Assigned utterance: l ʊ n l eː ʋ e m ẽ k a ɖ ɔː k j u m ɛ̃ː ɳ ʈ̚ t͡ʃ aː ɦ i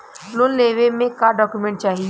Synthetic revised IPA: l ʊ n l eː ʋ e m ẽ k a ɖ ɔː k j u m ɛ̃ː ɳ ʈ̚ t͡ʃ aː ɦ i